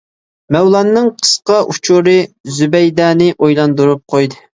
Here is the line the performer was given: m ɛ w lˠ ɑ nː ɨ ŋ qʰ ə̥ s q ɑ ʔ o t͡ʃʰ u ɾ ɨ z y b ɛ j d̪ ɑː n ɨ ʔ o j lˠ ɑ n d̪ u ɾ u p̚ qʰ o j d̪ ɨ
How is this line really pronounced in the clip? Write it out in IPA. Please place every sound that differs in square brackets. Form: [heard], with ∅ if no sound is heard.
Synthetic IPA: m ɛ w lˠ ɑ nː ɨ ŋ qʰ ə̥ s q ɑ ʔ [u] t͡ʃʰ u ɾ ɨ z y b ɛ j d̪ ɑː n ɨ ʔ o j lˠ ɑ n d̪ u ɾ u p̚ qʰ o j d̪ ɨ